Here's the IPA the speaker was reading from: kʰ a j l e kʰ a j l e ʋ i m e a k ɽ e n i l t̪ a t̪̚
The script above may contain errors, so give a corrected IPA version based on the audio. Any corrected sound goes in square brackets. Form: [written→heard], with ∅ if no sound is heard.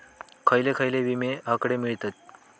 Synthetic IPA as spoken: kʰ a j l e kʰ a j l e ʋ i m e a k ɽ e [n→m] i [l→ɭ] t̪ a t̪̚

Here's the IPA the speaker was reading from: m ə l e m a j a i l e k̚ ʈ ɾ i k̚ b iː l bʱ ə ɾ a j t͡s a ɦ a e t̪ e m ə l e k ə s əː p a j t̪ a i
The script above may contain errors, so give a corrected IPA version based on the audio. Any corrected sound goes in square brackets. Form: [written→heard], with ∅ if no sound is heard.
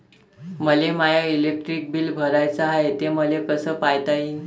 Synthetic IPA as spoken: m ə l e m a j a i l e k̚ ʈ ɾ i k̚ b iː l bʱ ə ɾ a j t͡s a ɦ a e t̪ e m ə l e k ə s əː p a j t̪ a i

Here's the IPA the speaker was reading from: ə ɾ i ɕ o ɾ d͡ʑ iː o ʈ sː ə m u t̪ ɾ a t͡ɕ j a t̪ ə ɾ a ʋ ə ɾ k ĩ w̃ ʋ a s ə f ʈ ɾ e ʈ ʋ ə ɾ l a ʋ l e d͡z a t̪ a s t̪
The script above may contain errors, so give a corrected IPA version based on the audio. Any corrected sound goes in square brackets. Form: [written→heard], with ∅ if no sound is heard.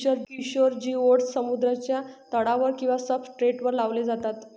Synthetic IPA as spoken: ə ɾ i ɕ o ɾ d͡ʑ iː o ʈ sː ə m u [t̪→d̪] ɾ a t͡ɕ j a t̪ ə [ɾ→ɽ] a ʋ ə ɾ k ĩ w̃ ʋ a s ə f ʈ ɾ e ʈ ʋ ə ɾ l a ʋ l e d͡z a t̪ a [s→∅] t̪

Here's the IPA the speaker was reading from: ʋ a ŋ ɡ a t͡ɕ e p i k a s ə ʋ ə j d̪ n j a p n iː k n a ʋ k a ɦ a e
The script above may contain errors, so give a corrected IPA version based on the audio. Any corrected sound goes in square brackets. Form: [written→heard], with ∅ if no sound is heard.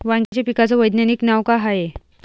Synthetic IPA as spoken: ʋ a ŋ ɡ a t͡ɕ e p i k a [s→t͡s] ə ʋ ə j d̪ n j a [p→∅] n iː k n a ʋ k a ɦ a e

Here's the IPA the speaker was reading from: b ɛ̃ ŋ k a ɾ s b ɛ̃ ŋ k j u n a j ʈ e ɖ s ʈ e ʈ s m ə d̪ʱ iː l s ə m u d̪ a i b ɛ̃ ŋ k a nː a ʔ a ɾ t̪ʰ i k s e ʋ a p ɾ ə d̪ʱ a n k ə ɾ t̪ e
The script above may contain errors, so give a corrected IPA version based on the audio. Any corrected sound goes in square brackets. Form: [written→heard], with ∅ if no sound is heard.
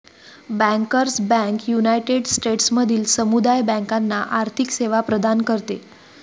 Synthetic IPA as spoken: b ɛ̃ ŋ k [a→ə] ɾ s b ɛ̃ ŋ k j u n a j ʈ e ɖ s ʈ e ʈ s m ə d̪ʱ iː l s ə m u d̪ a [i→j] b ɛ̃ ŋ k a nː a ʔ a ɾ t̪ʰ i k s e ʋ a p ɾ ə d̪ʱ a n k ə ɾ t̪ e

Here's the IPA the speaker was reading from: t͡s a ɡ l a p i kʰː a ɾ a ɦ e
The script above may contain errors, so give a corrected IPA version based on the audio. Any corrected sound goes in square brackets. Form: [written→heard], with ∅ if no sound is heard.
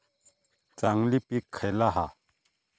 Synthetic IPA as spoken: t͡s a [ɡ→ŋ] l [a→i] p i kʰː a [ɾ→l] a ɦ [e→a]

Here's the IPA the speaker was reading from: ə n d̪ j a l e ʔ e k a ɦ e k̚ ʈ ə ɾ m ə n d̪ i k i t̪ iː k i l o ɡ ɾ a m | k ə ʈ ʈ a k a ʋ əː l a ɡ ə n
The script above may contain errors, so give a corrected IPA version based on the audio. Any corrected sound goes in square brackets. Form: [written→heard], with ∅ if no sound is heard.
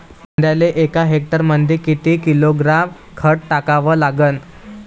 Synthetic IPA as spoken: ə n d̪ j a l e ʔ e k a ɦ e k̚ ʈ ə ɾ m ə n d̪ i k i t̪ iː k i l o ɡ ɾ a m | [k→kʰ] ə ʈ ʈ a k a ʋ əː l a ɡ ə n

